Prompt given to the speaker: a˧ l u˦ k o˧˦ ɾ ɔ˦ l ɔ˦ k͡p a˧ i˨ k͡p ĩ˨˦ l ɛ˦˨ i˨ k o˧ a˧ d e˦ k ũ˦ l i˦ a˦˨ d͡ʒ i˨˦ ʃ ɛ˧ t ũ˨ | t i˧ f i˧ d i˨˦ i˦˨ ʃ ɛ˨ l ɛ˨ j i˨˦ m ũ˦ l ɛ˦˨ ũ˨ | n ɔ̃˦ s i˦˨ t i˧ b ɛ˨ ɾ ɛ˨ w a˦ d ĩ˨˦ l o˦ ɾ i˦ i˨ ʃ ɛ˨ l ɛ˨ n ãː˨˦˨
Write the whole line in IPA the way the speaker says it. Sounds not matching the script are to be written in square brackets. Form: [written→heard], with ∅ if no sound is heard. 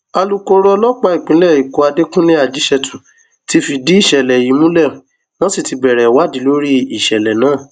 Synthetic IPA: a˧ l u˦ k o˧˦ ɾ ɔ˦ l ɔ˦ k͡p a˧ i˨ k͡p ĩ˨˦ l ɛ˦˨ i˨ k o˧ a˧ d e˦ k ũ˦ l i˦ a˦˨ d͡ʒ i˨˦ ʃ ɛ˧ t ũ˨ | t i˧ f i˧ d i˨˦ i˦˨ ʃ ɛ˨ l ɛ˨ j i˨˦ m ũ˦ l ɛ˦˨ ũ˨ | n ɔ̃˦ s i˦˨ t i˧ b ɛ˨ ɾ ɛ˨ w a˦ d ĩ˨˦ l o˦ ɾ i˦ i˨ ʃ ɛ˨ l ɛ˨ n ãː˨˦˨